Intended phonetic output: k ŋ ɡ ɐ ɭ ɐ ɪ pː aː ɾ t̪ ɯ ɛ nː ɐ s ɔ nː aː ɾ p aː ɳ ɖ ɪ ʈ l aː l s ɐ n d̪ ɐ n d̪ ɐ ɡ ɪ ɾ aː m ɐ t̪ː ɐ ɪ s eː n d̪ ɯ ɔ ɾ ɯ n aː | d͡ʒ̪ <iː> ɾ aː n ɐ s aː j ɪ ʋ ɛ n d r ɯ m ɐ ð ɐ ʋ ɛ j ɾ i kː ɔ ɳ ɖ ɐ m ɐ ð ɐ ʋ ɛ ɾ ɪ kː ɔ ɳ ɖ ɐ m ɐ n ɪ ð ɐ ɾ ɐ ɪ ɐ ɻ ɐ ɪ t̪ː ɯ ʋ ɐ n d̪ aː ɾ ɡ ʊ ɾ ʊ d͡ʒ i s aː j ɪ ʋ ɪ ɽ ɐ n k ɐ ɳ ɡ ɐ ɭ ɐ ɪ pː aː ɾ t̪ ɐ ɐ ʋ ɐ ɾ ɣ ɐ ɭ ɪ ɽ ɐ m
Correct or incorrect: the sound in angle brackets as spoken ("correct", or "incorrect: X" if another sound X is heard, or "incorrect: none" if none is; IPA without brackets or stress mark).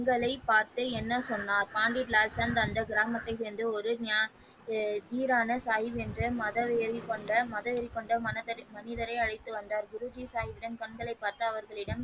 correct